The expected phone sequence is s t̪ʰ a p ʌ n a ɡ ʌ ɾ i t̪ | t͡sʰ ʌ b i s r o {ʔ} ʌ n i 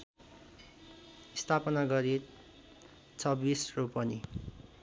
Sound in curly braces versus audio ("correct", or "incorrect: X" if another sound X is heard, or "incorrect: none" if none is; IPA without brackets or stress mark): incorrect: p